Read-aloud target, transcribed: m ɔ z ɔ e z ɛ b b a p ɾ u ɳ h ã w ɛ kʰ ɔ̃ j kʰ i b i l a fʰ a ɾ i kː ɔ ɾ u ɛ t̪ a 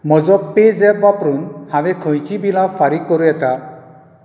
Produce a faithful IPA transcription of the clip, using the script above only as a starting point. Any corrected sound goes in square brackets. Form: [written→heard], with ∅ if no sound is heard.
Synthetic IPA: m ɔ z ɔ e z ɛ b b a p ɾ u [ɳ→n] h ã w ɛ kʰ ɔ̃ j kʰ i b i l a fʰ a ɾ i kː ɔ ɾ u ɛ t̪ a

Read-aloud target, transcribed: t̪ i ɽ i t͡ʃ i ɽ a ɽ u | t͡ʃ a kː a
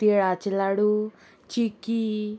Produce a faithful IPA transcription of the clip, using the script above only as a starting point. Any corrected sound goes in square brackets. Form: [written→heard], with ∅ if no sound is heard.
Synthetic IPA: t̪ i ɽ [i→a] t͡ʃ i [ɽ→l] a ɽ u | t͡ʃ [a→i] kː [a→i]

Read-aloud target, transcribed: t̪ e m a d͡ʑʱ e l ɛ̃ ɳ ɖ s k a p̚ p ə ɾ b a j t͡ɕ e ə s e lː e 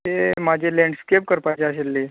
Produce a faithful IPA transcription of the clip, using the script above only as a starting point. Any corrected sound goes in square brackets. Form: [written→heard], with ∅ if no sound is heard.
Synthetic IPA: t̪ e m a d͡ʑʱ e l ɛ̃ ɳ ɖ s k [a→e] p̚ [p→k] ə ɾ [b→p] a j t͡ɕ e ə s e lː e

